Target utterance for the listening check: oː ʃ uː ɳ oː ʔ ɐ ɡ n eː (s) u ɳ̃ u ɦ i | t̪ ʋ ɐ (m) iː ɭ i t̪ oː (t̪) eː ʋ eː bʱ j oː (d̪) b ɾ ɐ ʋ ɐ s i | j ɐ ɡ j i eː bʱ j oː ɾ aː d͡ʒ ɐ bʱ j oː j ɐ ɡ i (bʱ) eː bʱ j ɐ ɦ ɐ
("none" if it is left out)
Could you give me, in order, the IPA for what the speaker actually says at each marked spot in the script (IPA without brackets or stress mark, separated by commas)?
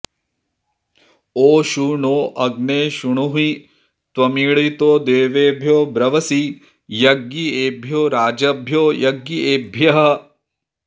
ʃ, m, d̪, none, none